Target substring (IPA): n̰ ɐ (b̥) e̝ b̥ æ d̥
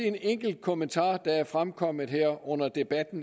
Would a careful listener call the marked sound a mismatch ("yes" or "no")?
yes